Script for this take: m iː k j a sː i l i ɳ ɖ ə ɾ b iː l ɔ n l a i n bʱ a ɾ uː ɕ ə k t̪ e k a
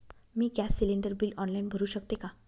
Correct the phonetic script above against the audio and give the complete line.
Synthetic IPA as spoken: m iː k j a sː i l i ɳ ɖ ə ɾ b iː l ɔ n l a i n bʱ ə ɾ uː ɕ ə k t̪ e k a